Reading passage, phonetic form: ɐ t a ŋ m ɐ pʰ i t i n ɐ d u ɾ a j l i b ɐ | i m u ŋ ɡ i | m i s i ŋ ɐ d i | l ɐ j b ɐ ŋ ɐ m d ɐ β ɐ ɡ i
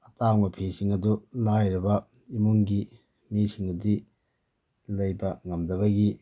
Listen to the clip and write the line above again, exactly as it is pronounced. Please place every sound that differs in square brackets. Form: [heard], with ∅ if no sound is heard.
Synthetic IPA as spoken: ɐ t a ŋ m ɐ pʰ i [s] i [ŋ] ɐ d u [l] a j [ɾ] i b ɐ | i m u ŋ ɡ i | m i s i ŋ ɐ d i | l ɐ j b ɐ ŋ ɐ m d ɐ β ɐ ɡ i